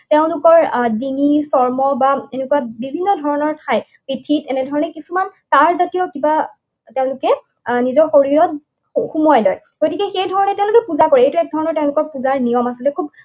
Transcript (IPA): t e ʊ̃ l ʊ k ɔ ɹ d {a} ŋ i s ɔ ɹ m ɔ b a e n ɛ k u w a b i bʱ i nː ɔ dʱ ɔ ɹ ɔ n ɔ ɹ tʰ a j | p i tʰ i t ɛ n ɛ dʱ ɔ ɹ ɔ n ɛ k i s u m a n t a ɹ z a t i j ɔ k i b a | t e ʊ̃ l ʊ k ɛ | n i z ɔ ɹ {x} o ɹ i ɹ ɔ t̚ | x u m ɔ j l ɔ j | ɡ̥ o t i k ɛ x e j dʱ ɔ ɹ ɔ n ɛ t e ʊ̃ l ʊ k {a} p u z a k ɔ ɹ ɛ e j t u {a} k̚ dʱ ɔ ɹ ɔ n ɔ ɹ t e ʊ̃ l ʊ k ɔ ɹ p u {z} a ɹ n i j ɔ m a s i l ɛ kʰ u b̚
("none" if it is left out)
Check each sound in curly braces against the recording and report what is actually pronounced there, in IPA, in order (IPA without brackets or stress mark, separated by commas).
i, x, ɛ, ɛ, z